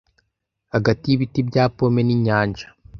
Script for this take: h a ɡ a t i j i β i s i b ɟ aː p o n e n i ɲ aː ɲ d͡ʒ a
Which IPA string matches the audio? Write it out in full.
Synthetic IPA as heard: h a ɡ a t i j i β i t i b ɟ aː p o m e n i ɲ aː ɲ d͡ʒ a